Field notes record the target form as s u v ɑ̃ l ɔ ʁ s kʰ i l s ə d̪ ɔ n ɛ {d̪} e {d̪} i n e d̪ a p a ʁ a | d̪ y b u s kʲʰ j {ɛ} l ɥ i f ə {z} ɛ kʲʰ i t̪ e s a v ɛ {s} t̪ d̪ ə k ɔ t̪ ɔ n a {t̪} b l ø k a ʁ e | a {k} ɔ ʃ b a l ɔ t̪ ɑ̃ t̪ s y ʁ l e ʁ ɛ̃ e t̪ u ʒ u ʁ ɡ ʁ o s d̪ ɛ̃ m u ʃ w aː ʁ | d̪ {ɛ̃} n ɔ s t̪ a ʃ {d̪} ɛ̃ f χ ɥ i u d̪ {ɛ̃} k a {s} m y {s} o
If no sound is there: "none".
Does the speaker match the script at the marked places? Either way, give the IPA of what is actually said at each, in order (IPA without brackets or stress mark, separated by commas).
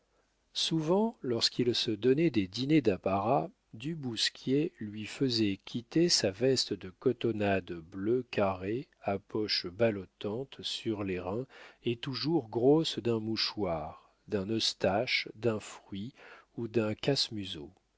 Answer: d̪, d̪, e, z, s, d̪, p, ɛ̃, d̪, ɛ̃, s, z